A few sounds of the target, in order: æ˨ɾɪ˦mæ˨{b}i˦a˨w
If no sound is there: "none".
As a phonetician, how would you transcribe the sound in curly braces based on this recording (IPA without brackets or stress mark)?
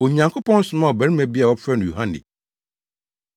b